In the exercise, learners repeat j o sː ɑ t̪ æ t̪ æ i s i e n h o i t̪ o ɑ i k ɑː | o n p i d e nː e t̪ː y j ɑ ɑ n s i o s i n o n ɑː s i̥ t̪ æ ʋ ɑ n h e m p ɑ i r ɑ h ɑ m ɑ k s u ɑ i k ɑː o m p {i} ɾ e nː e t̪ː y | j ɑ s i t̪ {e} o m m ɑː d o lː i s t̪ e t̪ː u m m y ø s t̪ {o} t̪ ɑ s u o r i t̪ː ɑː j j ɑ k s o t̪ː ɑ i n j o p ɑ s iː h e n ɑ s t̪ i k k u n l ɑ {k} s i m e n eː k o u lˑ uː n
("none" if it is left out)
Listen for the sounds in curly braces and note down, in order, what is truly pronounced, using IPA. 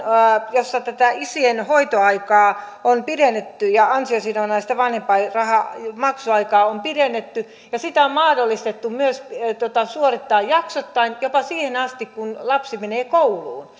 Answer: i, æ, o, p

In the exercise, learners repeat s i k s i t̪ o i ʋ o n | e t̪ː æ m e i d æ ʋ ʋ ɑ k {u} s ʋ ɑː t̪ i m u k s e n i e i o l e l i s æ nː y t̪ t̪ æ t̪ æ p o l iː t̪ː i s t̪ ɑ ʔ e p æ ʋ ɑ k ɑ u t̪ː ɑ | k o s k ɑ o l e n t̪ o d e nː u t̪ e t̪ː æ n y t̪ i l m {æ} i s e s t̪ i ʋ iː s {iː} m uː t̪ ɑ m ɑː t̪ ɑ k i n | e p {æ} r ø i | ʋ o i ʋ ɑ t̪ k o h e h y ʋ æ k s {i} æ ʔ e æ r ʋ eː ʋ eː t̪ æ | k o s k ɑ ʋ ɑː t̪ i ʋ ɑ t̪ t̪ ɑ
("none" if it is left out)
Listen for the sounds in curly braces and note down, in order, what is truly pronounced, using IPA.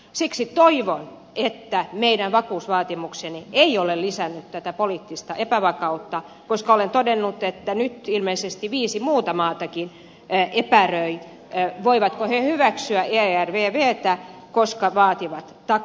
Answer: uː, e, i, æ, y

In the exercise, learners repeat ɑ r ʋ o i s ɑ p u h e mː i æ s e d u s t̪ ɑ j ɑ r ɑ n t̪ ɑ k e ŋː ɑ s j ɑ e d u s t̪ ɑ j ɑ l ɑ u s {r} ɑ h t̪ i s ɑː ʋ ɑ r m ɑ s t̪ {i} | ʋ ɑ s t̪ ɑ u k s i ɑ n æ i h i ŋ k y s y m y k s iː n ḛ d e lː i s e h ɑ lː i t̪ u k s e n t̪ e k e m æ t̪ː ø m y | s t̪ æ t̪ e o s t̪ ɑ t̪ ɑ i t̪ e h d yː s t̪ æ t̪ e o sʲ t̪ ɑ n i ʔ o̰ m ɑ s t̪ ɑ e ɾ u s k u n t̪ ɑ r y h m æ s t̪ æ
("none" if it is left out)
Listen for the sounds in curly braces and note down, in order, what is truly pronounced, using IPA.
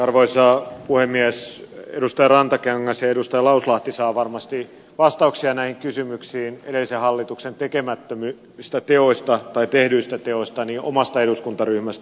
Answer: l, i

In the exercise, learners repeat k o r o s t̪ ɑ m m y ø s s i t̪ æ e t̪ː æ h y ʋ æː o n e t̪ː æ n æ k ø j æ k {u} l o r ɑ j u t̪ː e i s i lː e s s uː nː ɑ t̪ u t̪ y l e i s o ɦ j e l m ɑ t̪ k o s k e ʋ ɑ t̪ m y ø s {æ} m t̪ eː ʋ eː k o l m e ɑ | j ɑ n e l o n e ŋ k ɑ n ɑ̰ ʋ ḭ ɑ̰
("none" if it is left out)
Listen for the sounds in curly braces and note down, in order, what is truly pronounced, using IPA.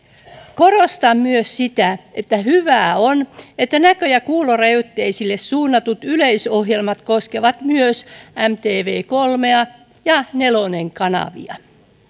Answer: uː, æ

